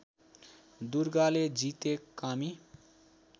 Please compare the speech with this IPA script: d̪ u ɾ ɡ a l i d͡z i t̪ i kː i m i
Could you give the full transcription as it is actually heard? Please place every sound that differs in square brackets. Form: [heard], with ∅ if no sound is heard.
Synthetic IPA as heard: d̪ u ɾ ɡ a l [e] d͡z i t̪ [e] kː [a] m i

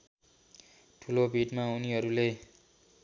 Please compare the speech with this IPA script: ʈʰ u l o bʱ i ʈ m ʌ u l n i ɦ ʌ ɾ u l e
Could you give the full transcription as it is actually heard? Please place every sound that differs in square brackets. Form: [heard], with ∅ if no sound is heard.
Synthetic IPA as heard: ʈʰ u l o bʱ i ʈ m [a] u [∅] n i ɦ ʌ ɾ u l e

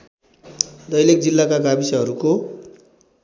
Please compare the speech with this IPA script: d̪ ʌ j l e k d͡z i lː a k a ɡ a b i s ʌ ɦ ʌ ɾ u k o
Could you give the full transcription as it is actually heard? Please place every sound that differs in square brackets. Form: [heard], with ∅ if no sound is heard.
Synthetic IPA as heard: d̪ ʌ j l e k d͡z i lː a k a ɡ a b i s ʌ ɦ ʌ ɾ u k o

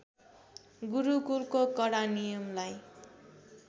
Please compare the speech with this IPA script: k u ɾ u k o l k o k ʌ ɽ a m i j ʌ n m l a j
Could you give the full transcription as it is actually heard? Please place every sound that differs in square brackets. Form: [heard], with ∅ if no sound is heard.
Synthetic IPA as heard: [ɡ] u ɾ u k [u] l k o k ʌ ɽ a [n] i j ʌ [∅] m l a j

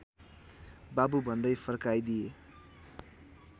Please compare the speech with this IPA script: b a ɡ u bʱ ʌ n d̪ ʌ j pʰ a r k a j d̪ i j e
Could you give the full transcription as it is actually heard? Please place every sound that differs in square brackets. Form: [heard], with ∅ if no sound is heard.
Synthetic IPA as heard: b a [b] u bʱ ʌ n d̪ ʌ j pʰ [ʌ] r k a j d̪ i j e

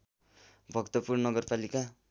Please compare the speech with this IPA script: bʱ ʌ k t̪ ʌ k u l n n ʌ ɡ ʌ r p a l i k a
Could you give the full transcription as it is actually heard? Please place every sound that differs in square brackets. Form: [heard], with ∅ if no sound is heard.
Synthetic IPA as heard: bʱ ʌ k t̪ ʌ [p] u [r] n n ʌ ɡ ʌ r p a l i k a

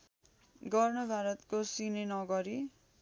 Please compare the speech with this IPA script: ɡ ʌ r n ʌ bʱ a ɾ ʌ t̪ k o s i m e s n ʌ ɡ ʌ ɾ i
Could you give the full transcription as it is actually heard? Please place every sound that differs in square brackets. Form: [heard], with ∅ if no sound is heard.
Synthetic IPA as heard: ɡ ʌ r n ʌ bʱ a ɾ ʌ t̪ k o s i [n] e [∅] n ʌ ɡ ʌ ɾ i

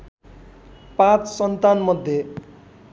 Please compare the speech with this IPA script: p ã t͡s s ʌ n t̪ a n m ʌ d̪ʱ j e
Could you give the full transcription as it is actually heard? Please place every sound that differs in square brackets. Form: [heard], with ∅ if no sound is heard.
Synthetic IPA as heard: p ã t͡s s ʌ n t̪ a n m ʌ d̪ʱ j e

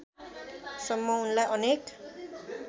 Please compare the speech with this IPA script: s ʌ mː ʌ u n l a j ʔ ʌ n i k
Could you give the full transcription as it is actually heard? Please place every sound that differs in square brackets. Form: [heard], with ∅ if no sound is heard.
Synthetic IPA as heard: s ʌ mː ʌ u n l a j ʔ ʌ n [e] k

